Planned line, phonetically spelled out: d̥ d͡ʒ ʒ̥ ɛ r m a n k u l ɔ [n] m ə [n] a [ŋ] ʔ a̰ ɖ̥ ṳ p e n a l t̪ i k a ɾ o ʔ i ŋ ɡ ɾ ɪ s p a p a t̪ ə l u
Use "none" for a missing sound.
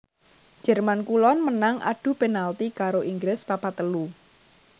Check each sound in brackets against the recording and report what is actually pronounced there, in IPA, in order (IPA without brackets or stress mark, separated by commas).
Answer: n, n, ŋ